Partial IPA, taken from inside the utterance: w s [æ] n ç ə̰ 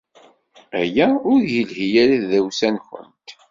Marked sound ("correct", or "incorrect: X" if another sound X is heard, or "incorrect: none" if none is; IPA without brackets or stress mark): correct